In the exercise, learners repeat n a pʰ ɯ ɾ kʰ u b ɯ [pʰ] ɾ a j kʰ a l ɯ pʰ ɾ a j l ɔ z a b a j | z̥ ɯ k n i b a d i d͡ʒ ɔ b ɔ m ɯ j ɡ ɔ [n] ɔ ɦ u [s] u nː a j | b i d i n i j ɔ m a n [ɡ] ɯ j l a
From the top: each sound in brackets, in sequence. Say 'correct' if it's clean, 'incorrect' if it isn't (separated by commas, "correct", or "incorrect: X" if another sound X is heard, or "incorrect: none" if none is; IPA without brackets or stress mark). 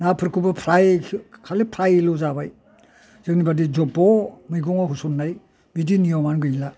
correct, incorrect: ŋ, correct, correct